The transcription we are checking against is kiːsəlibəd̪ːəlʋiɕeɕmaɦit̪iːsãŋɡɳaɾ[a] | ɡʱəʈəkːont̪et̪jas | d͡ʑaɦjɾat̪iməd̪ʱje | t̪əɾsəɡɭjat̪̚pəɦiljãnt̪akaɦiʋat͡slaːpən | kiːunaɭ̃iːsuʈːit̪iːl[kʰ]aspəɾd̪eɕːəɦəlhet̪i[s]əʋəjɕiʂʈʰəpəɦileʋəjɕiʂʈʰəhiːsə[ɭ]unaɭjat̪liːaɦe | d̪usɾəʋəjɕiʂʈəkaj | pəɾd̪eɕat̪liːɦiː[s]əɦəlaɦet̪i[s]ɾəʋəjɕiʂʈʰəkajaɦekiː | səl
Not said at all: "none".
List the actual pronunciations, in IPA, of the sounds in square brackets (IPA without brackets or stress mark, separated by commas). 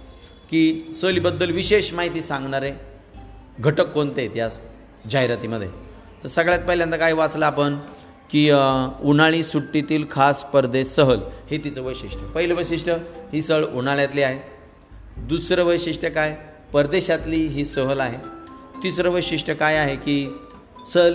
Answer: e, kʰ, t͡s, ɭ, s, s